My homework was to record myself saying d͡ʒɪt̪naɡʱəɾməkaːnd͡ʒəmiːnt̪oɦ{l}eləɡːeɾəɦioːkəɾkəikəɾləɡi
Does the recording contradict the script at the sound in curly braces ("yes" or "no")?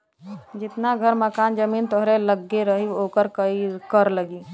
yes